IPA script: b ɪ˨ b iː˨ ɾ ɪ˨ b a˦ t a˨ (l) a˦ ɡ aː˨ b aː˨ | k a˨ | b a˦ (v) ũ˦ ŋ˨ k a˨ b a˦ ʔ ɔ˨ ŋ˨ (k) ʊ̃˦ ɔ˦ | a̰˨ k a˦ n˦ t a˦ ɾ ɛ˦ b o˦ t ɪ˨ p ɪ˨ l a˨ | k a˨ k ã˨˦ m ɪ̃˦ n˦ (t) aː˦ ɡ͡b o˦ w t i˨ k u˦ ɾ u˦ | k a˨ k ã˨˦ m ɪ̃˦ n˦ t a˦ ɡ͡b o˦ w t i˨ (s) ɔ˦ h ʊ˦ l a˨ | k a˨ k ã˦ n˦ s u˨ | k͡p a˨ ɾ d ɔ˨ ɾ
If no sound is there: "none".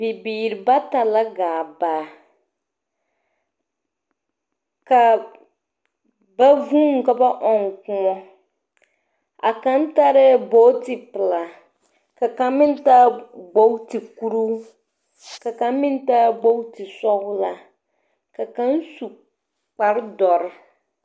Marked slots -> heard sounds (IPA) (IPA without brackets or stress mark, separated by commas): l, v, k, t, s